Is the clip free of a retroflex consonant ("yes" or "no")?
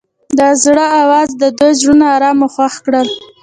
no